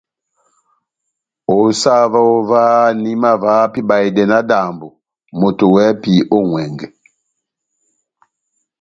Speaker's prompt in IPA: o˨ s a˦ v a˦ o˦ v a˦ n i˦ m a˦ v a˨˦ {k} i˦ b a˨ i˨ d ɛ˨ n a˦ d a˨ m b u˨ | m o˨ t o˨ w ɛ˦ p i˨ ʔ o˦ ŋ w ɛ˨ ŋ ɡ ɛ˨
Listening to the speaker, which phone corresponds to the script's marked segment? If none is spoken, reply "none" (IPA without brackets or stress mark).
p